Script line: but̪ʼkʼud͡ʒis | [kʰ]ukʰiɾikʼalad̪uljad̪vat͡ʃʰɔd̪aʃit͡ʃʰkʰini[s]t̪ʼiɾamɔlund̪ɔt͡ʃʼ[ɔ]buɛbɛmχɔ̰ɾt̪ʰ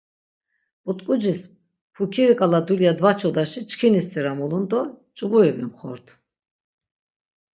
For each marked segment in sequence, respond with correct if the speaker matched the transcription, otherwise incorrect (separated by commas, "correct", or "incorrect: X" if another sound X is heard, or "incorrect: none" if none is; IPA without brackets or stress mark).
incorrect: pʰ, correct, incorrect: u